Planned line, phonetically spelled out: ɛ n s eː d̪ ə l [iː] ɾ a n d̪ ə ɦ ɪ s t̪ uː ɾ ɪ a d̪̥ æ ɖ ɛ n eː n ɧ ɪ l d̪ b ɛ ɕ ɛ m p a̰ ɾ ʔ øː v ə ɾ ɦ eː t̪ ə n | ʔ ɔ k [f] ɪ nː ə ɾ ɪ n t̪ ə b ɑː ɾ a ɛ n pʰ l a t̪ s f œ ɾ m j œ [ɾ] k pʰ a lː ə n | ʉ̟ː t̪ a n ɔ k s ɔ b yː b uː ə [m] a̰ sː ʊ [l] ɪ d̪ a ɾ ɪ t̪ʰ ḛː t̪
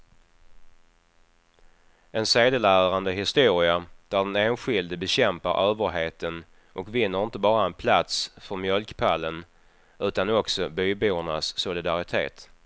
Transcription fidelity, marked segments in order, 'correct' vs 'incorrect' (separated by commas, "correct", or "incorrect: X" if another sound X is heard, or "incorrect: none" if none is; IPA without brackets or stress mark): incorrect: æː, incorrect: v, incorrect: l, incorrect: ɳ, correct